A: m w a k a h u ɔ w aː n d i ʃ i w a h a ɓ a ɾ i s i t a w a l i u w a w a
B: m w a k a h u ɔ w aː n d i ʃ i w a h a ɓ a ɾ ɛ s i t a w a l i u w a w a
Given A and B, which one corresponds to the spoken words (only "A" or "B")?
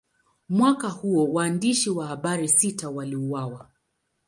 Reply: A